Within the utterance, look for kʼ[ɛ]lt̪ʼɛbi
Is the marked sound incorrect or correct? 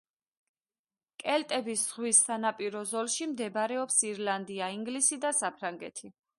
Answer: correct